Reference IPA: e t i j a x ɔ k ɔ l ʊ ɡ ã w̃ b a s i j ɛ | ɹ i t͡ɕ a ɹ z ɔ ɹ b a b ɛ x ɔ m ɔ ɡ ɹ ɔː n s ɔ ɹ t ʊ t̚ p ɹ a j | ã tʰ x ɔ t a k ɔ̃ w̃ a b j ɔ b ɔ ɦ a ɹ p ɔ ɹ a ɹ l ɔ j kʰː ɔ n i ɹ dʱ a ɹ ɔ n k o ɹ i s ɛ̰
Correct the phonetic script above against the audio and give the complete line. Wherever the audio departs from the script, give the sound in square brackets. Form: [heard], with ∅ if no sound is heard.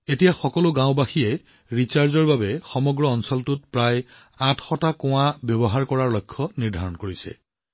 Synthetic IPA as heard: e t i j a x ɔ k ɔ l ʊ ɡ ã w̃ b a [x] i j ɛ | ɹ i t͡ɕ a ɹ z ɔ ɹ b a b ɛ x ɔ m ɔ ɡ ɹ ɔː n s ɔ [l] t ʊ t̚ p ɹ a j | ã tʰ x ɔ t a k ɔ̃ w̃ a b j ɔ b ɔ ɦ a ɹ [k] ɔ ɹ a ɹ l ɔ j kʰː ɔ n i ɹ dʱ a ɹ ɔ n k o ɹ i s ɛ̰